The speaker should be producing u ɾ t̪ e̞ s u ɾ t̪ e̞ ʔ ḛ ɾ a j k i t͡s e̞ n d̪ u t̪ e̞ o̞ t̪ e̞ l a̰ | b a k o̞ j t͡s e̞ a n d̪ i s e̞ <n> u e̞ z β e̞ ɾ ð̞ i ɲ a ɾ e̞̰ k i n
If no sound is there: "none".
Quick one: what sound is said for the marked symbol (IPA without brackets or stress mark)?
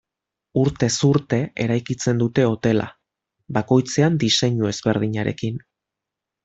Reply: ɲ